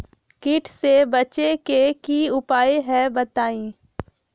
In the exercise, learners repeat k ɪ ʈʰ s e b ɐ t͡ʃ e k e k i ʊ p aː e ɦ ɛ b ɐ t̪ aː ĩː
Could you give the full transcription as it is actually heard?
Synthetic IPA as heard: k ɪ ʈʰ s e b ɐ t͡ʃ e k e k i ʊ p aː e ɦ ɛ b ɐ t̪ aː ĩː